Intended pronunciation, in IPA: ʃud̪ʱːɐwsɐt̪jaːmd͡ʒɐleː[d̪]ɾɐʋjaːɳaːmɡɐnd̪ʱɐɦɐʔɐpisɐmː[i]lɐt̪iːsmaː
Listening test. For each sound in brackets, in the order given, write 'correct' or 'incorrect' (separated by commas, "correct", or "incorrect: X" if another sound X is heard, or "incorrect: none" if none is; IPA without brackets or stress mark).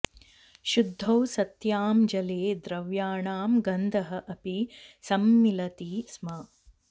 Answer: correct, correct